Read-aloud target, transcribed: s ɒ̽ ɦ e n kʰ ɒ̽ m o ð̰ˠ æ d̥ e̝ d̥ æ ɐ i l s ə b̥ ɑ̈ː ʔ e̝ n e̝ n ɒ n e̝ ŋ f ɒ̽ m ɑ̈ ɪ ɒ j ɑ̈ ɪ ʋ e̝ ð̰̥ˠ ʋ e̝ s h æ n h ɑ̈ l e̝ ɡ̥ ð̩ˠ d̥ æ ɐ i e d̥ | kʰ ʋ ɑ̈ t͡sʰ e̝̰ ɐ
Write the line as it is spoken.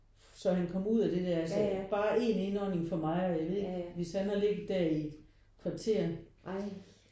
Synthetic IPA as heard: s ɒ̽ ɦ æ n kʰ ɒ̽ m u ð̰ˠ æ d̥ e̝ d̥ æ ɐ æ l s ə b̥ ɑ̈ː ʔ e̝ n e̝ n ɒ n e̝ ŋ f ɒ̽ m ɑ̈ ɪ ɒ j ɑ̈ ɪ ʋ e̝ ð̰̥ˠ ʋ e̝ s h æ n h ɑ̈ l e̝ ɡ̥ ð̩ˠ d̥ æ ɐ i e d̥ | kʰ ʋ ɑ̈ t͡sʰ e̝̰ ɐ